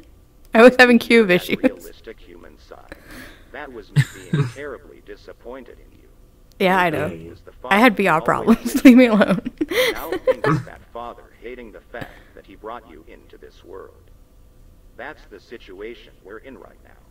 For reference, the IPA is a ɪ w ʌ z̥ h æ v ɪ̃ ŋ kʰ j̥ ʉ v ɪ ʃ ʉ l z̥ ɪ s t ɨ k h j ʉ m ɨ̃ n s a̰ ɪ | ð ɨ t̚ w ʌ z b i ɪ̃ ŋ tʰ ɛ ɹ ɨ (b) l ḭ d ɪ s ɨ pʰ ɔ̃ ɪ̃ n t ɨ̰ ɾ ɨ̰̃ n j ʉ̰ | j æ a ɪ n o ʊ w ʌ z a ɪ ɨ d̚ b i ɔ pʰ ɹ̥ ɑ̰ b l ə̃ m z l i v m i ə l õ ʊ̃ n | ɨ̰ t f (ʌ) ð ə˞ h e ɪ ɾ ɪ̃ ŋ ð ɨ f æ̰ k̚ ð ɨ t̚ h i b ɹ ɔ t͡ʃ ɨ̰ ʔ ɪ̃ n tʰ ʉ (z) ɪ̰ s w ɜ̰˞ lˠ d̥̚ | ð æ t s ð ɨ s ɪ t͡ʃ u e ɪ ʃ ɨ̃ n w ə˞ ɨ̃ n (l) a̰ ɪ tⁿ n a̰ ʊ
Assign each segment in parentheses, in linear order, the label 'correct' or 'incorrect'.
correct, incorrect: ɑ, incorrect: ð, incorrect: ɹ

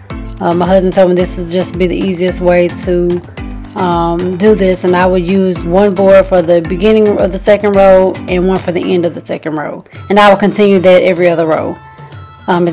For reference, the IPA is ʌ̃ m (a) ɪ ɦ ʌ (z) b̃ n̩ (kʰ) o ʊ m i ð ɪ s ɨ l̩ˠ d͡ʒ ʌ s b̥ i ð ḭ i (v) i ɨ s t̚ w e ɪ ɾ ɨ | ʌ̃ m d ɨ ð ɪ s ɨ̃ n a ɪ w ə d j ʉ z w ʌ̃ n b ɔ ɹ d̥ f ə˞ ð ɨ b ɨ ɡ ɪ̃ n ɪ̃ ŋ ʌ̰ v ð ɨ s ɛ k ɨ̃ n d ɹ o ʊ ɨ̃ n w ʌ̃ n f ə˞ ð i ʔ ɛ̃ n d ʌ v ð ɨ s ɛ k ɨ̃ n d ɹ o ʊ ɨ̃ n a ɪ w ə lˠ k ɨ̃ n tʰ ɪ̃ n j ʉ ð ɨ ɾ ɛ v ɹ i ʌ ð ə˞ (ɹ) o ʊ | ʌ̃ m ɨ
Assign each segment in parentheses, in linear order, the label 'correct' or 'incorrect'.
correct, correct, incorrect: tʰ, incorrect: z, correct

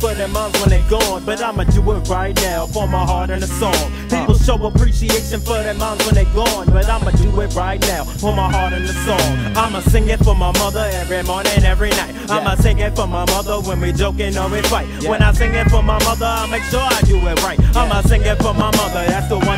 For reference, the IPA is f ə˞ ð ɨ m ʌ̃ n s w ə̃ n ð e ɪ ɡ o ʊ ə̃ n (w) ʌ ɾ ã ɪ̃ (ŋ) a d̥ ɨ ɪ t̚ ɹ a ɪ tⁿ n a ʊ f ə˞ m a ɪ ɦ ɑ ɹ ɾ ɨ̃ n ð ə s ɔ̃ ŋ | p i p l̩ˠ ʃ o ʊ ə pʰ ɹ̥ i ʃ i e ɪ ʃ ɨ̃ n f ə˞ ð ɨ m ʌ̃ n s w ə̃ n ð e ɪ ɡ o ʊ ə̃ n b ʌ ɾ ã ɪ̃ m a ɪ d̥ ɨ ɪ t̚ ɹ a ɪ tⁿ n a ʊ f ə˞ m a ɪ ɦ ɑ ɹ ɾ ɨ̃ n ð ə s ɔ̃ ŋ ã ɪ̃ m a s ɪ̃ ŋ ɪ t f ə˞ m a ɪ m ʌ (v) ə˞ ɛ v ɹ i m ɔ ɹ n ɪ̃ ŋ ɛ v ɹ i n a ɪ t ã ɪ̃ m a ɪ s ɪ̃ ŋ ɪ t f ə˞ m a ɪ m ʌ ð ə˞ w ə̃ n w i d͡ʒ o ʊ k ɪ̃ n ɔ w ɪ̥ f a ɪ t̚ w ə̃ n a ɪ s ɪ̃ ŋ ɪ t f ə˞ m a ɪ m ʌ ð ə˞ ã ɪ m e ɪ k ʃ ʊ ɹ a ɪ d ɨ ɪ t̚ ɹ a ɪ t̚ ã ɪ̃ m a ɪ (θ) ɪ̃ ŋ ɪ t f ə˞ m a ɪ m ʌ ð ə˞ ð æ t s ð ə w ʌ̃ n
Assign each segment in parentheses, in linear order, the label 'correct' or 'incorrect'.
incorrect: b, incorrect: m, incorrect: ð, incorrect: s

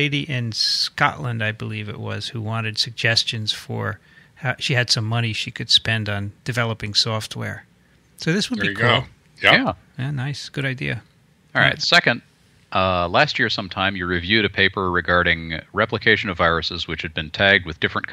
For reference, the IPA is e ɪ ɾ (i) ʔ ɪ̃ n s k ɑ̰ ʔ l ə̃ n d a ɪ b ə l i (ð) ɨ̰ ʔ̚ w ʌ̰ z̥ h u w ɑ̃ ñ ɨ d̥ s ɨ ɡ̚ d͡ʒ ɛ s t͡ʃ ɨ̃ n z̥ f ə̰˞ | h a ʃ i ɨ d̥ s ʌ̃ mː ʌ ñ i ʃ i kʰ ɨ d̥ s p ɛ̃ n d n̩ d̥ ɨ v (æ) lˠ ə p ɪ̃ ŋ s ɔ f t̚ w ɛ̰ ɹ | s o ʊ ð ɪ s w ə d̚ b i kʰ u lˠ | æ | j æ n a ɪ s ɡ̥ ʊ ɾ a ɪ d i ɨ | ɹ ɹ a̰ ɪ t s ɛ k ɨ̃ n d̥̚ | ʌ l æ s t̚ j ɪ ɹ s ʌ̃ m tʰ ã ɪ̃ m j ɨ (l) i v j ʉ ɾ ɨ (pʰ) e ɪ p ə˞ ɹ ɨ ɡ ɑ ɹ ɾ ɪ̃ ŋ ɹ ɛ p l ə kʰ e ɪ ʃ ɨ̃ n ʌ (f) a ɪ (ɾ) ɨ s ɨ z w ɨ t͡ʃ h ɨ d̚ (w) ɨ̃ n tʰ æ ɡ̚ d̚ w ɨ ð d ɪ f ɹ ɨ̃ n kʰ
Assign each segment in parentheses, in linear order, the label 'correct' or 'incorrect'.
correct, incorrect: v, incorrect: ɛ, incorrect: ɹ, correct, incorrect: v, incorrect: ɹ, incorrect: b

